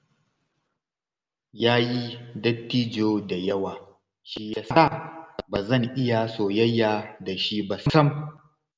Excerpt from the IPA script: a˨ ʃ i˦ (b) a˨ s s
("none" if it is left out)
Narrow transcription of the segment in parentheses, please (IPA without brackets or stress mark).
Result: b